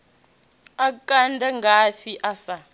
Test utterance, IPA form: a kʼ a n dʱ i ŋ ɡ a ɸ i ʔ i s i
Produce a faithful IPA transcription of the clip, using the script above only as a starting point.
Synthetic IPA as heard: a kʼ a n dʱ a ŋ ɡ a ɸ i ʔ a s a